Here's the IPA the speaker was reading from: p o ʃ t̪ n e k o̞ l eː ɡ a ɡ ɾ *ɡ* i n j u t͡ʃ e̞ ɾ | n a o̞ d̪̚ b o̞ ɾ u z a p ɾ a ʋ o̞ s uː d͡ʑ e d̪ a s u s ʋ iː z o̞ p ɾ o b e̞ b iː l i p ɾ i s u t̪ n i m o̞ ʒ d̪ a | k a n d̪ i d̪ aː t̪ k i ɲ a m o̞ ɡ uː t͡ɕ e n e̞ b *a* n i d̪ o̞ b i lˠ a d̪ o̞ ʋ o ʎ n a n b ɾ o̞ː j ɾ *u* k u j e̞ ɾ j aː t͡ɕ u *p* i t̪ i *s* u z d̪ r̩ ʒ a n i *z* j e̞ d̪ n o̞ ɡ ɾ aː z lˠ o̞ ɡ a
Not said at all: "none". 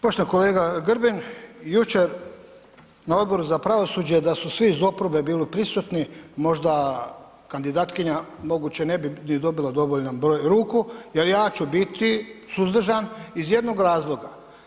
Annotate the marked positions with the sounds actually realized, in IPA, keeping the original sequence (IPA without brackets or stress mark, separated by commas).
b, i, uː, b, s, z